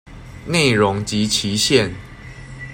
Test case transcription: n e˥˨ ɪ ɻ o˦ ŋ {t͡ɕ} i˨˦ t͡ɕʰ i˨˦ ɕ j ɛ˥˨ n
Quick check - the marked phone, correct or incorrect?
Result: correct